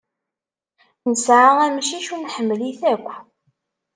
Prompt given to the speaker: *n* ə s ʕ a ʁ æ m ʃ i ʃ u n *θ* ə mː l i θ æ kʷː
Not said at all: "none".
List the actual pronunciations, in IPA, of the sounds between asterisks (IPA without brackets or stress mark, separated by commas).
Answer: n, ħ